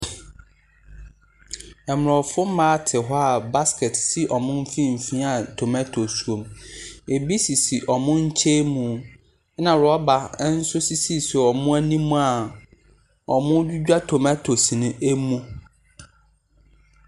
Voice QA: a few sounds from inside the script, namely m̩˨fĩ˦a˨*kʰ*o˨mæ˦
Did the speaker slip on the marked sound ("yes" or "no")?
yes